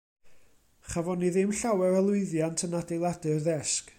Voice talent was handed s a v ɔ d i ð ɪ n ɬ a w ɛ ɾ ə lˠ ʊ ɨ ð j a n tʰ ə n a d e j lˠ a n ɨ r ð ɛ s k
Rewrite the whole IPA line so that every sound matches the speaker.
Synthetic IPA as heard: χ a v ɔ n i ð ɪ m ɬ a w ɛ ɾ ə lˠ ʊ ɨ ð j a n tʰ ə n a d e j lˠ a d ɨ r ð ɛ s k